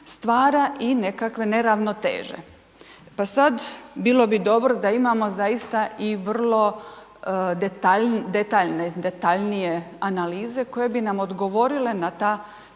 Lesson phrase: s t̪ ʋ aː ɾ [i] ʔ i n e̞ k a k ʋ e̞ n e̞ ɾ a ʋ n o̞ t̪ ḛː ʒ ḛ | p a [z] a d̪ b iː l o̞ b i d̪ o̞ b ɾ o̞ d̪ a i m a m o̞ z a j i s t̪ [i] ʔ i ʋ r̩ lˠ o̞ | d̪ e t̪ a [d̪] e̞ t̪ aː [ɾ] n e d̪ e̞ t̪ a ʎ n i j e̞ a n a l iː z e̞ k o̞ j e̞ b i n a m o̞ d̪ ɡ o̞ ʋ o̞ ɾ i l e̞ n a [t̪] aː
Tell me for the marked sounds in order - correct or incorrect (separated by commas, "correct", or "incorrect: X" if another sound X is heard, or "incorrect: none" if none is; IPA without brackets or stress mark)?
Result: incorrect: a, incorrect: s, incorrect: a, correct, incorrect: ʎ, correct